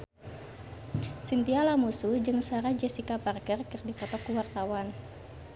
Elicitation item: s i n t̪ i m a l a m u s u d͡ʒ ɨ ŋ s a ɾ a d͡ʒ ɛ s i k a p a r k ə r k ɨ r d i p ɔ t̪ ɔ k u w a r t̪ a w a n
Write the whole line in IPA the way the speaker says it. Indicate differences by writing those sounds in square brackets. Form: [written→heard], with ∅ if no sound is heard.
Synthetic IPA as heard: s i n t̪ i [m→∅] a l a m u s u d͡ʒ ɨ ŋ s a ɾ a d͡ʒ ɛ s i k a p a r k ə r k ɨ r d i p ɔ t̪ ɔ k u w a r t̪ a w a n